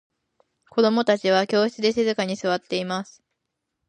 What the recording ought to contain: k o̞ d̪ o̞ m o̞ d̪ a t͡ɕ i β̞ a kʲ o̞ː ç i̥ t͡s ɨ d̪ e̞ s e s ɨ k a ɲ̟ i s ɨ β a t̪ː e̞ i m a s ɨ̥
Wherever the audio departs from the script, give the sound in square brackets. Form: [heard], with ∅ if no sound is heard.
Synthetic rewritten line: k o̞ d̪ o̞ m o̞ [t̪] a t͡ɕ i β̞ a kʲ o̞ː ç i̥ t͡s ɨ d̪ e̞ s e [z] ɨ k a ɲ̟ i s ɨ β a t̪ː e̞ i m a s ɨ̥